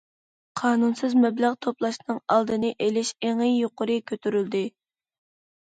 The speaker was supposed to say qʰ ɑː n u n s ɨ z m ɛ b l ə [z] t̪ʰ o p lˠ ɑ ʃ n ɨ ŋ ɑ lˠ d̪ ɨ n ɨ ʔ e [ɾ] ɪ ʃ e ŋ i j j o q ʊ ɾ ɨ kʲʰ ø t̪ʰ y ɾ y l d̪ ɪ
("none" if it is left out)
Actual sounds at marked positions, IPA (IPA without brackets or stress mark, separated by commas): ʁ, l